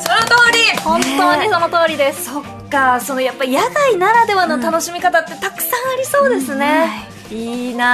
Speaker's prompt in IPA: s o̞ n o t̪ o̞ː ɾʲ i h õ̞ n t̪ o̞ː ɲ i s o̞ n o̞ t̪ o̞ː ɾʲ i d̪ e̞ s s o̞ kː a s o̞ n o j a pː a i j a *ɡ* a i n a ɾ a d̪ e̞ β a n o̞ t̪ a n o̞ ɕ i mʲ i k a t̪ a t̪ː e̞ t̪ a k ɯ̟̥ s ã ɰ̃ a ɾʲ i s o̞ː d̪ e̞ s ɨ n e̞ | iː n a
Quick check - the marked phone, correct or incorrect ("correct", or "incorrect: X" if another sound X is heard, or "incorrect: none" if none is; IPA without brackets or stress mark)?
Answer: correct